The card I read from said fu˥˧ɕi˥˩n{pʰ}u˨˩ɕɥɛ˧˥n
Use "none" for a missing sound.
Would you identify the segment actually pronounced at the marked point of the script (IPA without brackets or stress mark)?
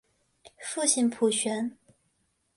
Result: pʰ